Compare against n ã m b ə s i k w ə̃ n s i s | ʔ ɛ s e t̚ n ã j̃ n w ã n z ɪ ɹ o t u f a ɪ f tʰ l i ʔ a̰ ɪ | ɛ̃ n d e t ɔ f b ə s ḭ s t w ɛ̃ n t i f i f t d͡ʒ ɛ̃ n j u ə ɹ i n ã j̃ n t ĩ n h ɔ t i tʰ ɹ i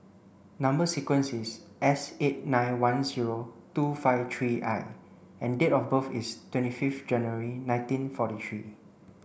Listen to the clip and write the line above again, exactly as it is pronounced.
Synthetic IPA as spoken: n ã m b ə s i k w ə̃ n s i s | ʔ ɛ s e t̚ n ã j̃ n w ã n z i ɹ o t u f a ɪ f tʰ ɹ i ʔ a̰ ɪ | ɛ̃ n d e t ɔ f b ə f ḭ s t w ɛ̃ n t i f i f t d͡ʒ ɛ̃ n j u ə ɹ i n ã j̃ n t ĩ n f ɔ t i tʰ ɹ i

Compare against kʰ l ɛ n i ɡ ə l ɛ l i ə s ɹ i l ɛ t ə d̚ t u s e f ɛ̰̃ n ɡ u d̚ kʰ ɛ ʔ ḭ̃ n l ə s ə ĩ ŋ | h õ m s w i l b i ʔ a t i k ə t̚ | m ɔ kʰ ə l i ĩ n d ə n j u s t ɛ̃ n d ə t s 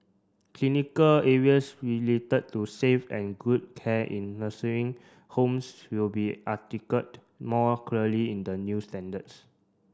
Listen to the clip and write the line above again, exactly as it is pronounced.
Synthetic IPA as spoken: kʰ l i n i k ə l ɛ ɹ i ə s ɹ i l e t ə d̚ t u s e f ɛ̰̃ n ɡ u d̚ kʰ ɛ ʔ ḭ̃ n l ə s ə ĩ ŋ | h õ m s w i l b i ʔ a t i k ə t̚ | m ɔ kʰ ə l i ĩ n d ə n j u s t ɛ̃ n d ə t s

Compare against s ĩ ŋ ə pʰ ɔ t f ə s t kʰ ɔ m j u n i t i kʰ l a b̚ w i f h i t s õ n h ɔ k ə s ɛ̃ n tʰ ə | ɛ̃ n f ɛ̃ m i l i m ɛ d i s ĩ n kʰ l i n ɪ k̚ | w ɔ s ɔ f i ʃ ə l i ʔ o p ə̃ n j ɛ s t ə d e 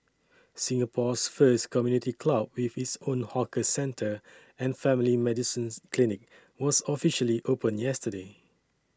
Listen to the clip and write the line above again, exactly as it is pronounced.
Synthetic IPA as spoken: s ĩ ŋ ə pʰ ɔ s f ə s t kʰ ɔ m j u n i t i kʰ l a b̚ w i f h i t s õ n h ɔ k ə s ɛ̃ n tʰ ə | ɛ̃ n f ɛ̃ m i l i m ɛ d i s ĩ n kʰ l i n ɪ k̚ | w ɔ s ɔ f i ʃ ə l i ʔ o p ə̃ n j ɛ s t ə d e

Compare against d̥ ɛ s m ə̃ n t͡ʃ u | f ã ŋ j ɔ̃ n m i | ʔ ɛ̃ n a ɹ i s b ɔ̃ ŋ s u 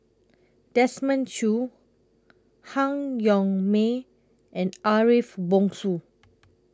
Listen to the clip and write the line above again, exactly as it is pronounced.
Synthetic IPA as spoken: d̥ ɛ s m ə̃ n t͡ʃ u | h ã ŋ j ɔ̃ ŋ m e | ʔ ɛ̃ n a ɹ i f b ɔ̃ ŋ s u

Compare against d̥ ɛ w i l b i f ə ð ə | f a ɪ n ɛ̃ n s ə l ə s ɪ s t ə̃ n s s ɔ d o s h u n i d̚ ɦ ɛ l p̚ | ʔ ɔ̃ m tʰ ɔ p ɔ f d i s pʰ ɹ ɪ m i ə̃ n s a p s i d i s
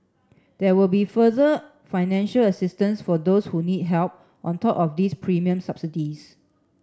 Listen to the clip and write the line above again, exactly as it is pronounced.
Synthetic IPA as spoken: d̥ ɛ w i l b i f ə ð ə | f a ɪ n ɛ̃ n ʃ ə l ə s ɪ s t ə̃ n s f ɔ d o s h u n i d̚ ɦ ɛ l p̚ | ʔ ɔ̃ n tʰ ɔ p ɔ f d i s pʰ ɹ i m i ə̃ m s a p s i d i s

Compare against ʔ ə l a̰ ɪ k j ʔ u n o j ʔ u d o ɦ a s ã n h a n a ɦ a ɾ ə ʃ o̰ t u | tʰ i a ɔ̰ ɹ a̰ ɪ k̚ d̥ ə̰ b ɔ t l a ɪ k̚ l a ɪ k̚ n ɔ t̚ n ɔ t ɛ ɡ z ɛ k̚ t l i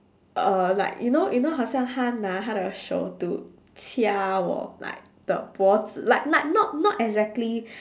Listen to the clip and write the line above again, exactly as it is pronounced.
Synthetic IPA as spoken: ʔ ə l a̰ ɪ k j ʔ u n o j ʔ u n o ɦ a s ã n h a n a ɦ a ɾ ə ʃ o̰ t u | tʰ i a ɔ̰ l a̰ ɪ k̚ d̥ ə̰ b ɔ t l a ɪ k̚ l a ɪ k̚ n ɔ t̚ n ɔ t ɛ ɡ z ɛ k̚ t l i

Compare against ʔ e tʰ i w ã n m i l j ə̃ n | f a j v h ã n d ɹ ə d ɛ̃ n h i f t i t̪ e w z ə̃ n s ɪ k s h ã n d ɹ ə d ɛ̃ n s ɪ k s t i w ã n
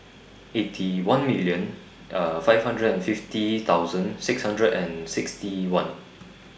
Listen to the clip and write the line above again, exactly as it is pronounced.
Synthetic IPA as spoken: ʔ e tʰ i w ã n m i l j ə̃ n | f a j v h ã n d ɹ ə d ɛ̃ n f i f t i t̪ a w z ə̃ n s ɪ k s h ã n d ɹ ə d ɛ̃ n s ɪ k s t i w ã n

